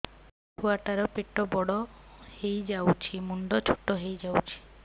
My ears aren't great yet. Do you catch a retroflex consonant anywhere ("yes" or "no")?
yes